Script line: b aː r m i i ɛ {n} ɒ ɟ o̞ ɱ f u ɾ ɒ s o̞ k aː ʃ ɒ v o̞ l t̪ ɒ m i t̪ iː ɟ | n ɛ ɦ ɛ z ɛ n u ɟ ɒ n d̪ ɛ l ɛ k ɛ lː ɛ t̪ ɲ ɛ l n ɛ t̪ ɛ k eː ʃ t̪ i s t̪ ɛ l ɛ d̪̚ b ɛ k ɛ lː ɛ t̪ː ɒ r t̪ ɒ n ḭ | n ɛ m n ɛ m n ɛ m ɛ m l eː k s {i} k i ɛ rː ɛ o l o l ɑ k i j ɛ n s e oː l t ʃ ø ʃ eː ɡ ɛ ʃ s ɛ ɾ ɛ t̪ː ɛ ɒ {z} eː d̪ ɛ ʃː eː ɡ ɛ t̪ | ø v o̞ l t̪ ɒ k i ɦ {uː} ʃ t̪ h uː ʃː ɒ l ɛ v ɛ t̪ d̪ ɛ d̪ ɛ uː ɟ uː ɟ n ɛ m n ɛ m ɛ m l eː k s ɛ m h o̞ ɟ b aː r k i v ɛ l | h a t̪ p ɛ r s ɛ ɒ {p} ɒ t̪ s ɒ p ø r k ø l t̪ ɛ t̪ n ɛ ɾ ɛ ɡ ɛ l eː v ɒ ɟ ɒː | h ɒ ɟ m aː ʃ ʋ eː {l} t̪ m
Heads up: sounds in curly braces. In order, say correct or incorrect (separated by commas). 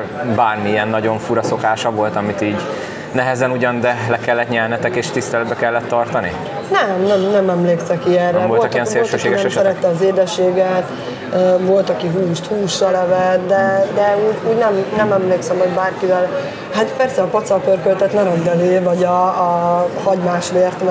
incorrect, incorrect, correct, correct, correct, incorrect